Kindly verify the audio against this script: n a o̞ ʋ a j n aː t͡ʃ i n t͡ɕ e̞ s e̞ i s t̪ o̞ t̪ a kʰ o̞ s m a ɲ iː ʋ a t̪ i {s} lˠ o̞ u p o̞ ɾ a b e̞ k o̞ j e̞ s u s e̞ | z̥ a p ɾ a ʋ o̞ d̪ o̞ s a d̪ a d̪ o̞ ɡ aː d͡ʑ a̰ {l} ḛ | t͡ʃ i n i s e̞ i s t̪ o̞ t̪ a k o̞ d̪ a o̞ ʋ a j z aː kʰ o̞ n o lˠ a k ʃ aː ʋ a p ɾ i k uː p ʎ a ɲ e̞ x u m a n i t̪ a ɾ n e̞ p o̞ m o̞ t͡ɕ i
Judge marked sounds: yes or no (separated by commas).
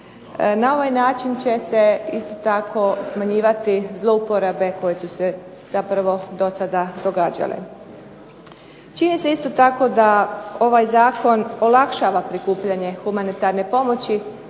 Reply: no, yes